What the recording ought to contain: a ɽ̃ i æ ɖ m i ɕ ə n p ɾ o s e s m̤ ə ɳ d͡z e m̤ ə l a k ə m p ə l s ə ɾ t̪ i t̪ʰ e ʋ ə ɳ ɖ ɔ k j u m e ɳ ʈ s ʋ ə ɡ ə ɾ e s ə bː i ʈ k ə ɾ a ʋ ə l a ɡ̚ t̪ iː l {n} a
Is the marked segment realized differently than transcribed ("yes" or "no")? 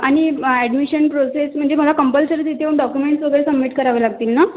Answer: no